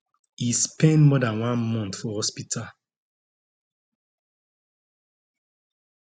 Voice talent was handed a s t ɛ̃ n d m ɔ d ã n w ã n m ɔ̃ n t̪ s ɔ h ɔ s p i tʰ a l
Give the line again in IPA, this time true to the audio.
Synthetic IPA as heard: i s p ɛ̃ n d m ɔ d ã n w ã n m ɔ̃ n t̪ f ɔ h ɔ s p i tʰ a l